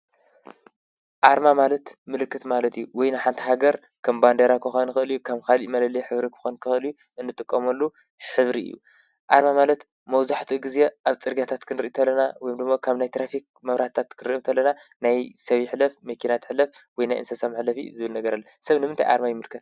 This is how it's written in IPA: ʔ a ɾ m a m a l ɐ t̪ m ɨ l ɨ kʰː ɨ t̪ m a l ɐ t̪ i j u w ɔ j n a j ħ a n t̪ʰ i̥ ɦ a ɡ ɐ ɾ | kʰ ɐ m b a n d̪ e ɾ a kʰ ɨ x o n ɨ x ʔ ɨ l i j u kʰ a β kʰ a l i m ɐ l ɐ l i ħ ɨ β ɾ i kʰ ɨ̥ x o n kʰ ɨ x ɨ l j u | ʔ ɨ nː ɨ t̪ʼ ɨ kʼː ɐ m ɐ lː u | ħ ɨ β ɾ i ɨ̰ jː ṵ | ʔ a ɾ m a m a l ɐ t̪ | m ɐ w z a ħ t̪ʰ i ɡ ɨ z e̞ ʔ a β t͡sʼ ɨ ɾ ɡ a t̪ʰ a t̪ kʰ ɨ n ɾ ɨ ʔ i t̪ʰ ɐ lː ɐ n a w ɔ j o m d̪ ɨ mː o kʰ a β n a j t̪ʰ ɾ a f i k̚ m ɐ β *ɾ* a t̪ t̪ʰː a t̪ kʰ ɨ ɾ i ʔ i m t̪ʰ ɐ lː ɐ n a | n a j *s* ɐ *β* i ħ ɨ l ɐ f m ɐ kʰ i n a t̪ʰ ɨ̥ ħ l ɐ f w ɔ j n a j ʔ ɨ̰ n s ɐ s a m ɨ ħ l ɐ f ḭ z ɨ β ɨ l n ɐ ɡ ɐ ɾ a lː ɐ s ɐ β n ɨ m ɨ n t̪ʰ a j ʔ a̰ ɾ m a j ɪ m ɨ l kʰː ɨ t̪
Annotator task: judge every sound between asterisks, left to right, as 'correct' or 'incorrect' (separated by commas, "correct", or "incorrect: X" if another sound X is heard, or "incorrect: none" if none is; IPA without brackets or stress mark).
correct, correct, correct